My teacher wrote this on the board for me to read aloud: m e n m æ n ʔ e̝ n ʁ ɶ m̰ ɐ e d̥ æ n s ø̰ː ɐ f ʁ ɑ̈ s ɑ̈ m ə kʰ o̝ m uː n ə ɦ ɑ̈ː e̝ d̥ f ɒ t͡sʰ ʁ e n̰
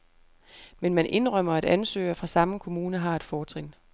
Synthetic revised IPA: m e n m æ n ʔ e̝ n ʁ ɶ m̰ ɐ æ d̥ æ n s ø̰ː ɐ f ʁ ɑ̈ s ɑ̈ m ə kʰ o̝ m uː n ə ɦ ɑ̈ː e̝ d̥ f ɒː t͡sʰ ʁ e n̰